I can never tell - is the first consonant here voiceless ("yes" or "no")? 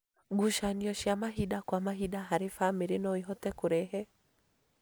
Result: no